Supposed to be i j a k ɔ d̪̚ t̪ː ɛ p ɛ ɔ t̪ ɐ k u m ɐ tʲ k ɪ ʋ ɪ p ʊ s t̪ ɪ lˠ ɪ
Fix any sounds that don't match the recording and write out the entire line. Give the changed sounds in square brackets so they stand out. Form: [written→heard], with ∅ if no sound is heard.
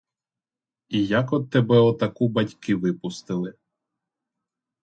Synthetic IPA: i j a k ɔ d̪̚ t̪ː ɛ [p→b] ɛ ɔ t̪ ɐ k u [m→b] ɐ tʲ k ɪ ʋ ɪ p ʊ s t̪ ɪ lˠ ɪ